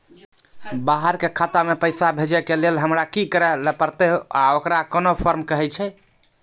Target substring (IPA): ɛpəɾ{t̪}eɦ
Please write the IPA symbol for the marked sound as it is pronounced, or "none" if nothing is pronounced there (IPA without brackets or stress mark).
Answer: t̪